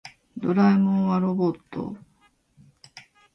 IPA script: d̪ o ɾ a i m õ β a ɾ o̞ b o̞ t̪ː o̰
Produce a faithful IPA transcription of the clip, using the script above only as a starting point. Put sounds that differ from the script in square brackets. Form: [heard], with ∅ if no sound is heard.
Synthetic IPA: d̪ o ɾ a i m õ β a ɾ o̞ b o̞ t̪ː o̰